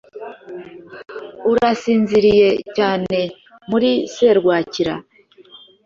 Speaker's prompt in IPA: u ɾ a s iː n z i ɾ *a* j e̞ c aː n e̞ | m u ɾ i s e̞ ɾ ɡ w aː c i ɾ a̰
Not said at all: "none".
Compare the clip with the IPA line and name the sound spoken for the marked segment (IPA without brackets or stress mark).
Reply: i